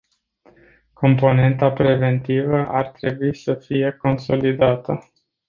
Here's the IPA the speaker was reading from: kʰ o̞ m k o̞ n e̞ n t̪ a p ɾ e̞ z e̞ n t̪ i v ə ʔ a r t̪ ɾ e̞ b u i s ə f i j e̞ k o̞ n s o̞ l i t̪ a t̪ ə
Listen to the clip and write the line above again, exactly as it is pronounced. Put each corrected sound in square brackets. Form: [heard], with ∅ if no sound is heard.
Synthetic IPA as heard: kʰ o̞ m [p] o̞ n e̞ n t̪ a p ɾ e̞ [v] e̞ n t̪ i v ə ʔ a r t̪ ɾ e̞ b u i s ə f i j e̞ k o̞ n s o̞ l i [d̪] a t̪ ə